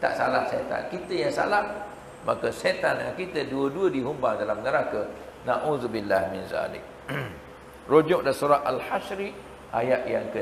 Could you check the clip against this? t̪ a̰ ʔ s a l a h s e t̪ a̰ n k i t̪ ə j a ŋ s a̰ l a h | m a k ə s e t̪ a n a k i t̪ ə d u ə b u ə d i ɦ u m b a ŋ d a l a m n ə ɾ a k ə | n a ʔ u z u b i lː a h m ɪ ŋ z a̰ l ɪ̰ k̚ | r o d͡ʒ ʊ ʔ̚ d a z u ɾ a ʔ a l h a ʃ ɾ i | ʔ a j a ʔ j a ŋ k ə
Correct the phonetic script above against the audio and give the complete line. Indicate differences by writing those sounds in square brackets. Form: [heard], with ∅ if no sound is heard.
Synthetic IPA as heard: t̪ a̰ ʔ s a l a h s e t̪ a̰ n k i t̪ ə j a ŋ s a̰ l a h | m a k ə s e t̪ a n a k i t̪ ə d u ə [d] u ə d i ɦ u m b a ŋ d a l a m n ə ɾ a k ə | n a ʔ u z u b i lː a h m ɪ [n] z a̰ l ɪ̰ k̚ | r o d͡ʒ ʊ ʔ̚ d a [s] u ɾ a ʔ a l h a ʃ ɾ i | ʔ a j a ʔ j a ŋ k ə